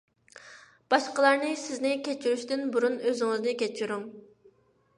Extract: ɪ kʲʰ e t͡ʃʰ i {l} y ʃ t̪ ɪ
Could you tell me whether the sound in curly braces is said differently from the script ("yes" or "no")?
yes